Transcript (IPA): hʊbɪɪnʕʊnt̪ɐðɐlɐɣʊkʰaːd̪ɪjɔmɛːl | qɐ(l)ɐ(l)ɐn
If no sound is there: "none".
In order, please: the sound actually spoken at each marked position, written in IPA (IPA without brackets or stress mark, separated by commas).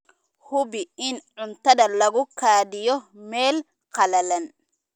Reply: l, l